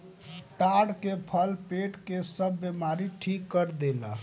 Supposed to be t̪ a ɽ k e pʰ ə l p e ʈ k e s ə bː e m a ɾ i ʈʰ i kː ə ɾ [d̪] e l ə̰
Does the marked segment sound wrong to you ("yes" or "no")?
no